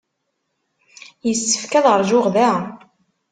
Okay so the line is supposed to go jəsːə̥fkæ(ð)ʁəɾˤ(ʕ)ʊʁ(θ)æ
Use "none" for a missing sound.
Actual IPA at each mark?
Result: ð, ʒ, ð

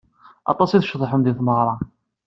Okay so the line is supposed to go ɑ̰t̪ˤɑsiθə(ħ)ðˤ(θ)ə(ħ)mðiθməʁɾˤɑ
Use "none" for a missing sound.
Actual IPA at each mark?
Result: ʃ, ħ, none

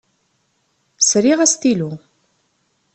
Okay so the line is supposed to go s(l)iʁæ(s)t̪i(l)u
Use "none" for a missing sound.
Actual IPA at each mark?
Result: ɾ, s, l

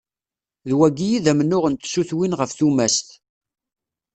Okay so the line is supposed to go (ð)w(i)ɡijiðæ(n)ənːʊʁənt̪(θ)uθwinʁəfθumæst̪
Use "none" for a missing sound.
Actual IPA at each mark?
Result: ð, æ, m, s

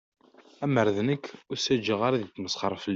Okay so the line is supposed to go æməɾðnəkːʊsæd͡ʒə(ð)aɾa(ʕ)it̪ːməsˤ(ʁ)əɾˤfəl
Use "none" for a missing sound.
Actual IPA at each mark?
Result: ʁ, ð, χ

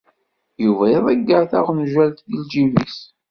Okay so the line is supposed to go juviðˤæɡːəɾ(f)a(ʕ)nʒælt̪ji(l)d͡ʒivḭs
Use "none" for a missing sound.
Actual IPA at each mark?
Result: θ, ʁ, l

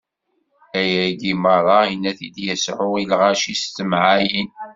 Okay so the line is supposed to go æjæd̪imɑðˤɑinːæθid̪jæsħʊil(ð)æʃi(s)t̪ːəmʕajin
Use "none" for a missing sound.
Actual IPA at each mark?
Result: ʁ, s

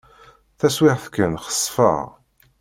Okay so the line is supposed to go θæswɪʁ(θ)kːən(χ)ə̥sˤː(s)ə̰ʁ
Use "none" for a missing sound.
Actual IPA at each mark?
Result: θ, χ, f

